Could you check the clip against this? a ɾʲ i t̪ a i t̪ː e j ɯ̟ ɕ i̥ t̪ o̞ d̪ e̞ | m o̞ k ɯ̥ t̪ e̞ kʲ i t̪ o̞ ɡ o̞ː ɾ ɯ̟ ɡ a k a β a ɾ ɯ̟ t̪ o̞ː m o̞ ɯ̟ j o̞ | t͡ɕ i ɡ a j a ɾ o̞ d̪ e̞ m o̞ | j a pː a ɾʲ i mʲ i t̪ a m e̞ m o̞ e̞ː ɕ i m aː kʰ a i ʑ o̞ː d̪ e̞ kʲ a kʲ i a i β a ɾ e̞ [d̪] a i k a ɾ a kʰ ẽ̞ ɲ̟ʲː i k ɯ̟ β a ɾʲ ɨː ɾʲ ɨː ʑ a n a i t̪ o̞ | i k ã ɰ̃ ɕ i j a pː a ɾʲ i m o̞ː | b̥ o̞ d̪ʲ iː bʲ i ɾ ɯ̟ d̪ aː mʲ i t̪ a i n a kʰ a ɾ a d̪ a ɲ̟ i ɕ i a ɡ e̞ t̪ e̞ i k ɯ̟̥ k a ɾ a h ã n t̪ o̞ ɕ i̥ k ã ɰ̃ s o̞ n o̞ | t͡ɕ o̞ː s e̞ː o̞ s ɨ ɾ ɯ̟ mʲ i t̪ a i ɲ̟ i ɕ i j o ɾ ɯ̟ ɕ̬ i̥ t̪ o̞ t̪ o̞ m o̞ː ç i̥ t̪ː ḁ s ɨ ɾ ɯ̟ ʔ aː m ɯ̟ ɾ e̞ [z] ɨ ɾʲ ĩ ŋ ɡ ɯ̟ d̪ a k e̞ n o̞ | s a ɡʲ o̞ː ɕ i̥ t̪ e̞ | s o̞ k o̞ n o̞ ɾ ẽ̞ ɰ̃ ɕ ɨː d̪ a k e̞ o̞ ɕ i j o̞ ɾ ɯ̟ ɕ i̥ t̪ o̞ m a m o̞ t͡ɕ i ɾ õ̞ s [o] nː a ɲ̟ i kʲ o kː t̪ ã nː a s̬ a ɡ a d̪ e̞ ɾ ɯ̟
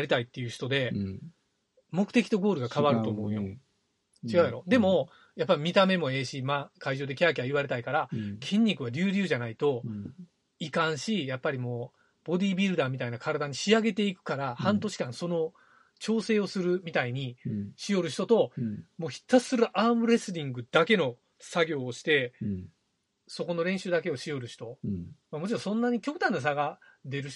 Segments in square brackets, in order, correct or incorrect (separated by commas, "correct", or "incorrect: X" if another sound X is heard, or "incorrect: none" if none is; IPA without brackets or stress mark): incorrect: t̪, incorrect: s, incorrect: õ